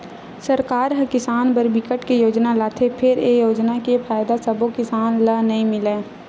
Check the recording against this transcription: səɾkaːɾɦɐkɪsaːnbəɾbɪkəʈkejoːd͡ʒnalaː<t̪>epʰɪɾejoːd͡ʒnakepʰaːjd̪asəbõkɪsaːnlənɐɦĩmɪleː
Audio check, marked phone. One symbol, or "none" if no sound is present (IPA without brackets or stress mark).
t̪ʰ